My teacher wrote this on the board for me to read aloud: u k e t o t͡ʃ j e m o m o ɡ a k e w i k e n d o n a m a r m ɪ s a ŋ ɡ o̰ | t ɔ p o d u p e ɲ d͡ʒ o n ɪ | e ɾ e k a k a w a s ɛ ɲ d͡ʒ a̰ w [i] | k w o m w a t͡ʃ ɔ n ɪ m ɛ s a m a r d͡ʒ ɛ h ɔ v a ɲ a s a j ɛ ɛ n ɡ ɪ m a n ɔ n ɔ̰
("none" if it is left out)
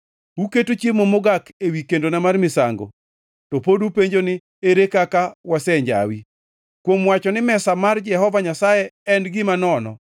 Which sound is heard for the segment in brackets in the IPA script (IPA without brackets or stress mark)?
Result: i